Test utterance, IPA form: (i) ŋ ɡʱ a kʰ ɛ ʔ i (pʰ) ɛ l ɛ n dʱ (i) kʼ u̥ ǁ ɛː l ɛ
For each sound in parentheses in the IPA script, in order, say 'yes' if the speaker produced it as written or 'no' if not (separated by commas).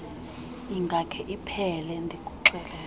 yes, yes, yes